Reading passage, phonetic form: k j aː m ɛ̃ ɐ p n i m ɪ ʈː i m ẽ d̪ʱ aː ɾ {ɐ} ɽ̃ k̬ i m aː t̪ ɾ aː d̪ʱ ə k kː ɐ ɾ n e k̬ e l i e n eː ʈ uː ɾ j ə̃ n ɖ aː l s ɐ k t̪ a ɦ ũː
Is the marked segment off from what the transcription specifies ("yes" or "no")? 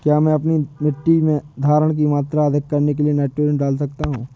yes